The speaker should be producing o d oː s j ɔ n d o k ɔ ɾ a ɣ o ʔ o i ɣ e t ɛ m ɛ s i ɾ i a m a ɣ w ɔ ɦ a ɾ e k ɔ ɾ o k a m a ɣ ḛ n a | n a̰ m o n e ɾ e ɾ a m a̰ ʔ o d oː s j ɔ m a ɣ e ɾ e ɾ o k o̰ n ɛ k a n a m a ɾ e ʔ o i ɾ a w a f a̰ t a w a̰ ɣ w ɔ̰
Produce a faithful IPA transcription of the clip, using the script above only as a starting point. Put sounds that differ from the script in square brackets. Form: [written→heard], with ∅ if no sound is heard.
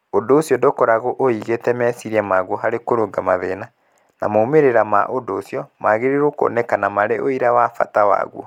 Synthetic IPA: o d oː s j ɔ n d o k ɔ ɾ a ɣ o ʔ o i ɣ e t ɛ m ɛ s i ɾ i a m a ɣ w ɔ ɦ a ɾ e k [ɔ→o] ɾ o [k→ɡ] a m a [ɣ→ð] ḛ n a | n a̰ m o [n→m] e ɾ e ɾ a m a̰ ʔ o d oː s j ɔ m a ɣ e ɾ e ɾ o k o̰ n ɛ k a n a m a ɾ e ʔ o i ɾ a w a f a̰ t a w a̰ ɣ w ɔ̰

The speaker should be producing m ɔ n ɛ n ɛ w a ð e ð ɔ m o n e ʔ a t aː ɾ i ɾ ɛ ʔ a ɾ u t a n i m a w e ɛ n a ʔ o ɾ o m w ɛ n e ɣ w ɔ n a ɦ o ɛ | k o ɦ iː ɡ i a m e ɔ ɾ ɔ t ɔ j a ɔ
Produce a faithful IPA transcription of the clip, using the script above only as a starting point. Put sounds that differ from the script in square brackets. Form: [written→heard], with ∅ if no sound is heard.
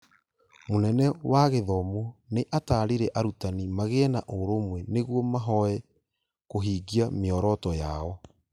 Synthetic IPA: m [ɔ→o] n ɛ n ɛ w a [ð→ɣ] e ð ɔ m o n e ʔ a t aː ɾ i ɾ ɛ ʔ a ɾ u t a n i m a [w→ɣ] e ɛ n a ʔ o ɾ o m w ɛ n e ɣ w ɔ [n→m] a ɦ [o→ɔ] ɛ | k o ɦ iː ɡ i a m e ɔ ɾ ɔ t ɔ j a ɔ

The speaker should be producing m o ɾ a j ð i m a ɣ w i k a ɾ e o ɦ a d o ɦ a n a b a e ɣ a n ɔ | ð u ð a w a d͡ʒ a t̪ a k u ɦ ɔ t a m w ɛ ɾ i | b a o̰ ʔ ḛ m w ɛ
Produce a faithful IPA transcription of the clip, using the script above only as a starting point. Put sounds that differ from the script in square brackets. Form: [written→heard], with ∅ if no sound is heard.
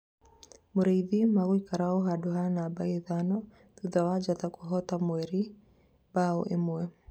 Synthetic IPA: m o ɾ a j ð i m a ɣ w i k a ɾ [e→a] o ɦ a d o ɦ a n a b a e [ɣ→ð] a n ɔ | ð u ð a w a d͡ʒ a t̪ a k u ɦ ɔ t a m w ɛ ɾ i | b a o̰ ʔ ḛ m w ɛ

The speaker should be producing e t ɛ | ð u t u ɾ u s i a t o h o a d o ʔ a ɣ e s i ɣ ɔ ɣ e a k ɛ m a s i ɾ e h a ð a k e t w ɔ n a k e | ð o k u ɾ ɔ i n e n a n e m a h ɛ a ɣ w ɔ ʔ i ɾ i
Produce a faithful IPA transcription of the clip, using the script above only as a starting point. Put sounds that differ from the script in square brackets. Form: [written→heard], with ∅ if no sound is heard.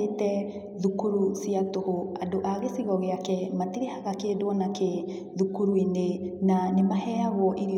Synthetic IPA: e t ɛ | ð u [t→k] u ɾ u s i a t o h o a d o ʔ a ɣ e s i ɣ ɔ ɣ e a k ɛ m a [s→t] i ɾ e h a [ð→ɣ] a k e [t→d] w ɔ n a k e | ð [o→u] k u ɾ [ɔ→u] i n e n a n e m a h ɛ a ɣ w ɔ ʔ i ɾ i

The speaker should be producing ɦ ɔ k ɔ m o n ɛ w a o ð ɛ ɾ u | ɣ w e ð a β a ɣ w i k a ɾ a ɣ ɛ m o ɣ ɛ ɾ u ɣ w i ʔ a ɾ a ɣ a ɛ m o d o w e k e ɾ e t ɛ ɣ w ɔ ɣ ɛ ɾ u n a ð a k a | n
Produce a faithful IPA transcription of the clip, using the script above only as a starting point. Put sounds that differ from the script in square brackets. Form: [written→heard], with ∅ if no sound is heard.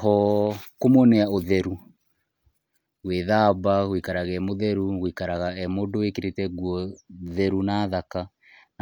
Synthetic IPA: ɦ ɔ k [ɔ→o] m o n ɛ [w→∅] a o ð ɛ ɾ u | ɣ w e ð a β a ɣ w i k a ɾ a ɣ ɛ m o [ɣ→ð] ɛ ɾ u ɣ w i [ʔ→k] a ɾ a ɣ a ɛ m o d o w e k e ɾ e t ɛ ɣ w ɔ [ɣ→ð] ɛ ɾ u n a ð a k a | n

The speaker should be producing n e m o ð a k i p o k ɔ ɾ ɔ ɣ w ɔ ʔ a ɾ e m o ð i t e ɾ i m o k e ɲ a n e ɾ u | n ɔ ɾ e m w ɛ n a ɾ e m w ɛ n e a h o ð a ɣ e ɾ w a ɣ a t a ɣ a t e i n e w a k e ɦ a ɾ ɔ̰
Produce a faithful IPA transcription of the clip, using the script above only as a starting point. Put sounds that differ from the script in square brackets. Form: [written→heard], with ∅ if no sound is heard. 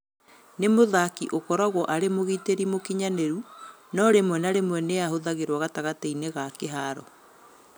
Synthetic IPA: n e m o ð a k i [p→ʔ] o k ɔ ɾ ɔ ɣ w ɔ ʔ a ɾ e m o [ð→ɣ] i t e ɾ i m o k [e→i] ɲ a n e ɾ u | n ɔ ɾ e m w ɛ n a ɾ e m w ɛ n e a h o ð a ɣ e ɾ w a ɣ a t a ɣ a t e i n e [w→ɣ] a k e ɦ a ɾ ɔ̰

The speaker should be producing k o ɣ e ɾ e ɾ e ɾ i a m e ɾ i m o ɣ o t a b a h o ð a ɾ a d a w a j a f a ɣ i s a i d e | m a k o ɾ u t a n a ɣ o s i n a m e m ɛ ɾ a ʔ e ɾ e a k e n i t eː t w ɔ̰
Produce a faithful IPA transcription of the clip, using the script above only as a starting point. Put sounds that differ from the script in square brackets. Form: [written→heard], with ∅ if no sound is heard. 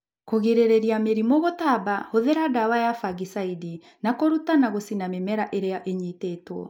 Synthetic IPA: k o ɣ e ɾ e ɾ e ɾ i a m e ɾ i m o ɣ o t a b a h o ð [a→e] ɾ a d a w a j a f a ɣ i s a i d [e→i] | [m→n] a k o ɾ u t a n a ɣ o s i n a m e m ɛ ɾ a ʔ e ɾ e a [k→ʔ] e [n→ɲ] i t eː t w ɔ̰

